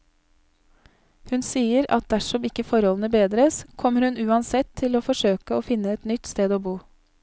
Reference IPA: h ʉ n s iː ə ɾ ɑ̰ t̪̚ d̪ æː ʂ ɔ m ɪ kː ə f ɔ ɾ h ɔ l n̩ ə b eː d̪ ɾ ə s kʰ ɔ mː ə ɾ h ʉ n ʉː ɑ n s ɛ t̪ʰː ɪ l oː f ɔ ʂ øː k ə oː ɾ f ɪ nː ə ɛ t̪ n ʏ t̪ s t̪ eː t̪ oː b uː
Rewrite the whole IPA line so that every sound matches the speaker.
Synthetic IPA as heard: h ʉ n s iː ə ɾ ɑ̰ t̪̚ d̪ æ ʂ ɔ m ɪ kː ə f ɔ ɾ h ɔ l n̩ ə b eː d̪ ɾ ə s kʰ ɔ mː ə ɾ h ʉ n ʉː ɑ n s ɛ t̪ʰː ɪ l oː f ɔ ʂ øː k ə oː f ɪ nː ə ɛ t̪ n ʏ t̪ s t̪ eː d̪ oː b uː